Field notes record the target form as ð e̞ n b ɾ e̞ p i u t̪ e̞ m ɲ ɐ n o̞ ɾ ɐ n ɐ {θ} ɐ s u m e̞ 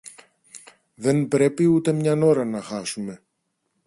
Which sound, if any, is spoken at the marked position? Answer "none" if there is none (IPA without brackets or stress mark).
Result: x